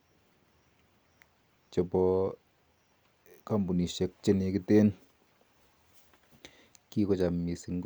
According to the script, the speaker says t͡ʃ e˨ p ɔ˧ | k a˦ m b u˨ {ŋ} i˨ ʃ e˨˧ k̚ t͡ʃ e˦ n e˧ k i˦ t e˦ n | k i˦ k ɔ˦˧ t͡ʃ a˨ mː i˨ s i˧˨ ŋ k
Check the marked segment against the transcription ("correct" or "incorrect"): incorrect